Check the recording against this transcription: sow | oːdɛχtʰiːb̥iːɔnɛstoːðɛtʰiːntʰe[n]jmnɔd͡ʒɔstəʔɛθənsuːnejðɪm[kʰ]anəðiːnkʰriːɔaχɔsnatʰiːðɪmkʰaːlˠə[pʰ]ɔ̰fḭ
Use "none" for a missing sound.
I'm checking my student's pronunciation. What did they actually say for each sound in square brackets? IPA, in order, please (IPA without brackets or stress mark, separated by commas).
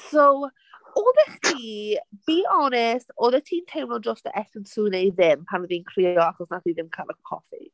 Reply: none, pʰ, kʰ